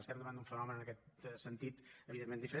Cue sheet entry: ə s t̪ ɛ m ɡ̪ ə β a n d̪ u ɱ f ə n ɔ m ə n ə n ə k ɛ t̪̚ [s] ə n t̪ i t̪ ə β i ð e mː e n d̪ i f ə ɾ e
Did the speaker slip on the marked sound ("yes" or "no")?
no